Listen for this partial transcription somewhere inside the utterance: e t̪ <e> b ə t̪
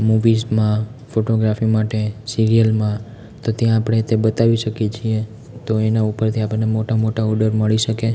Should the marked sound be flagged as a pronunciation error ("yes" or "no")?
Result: no